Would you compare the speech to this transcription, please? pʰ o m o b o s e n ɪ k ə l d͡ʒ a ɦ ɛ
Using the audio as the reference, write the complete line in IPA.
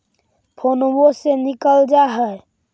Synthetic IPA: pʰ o n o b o s e n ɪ k ə l d͡ʒ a ɦ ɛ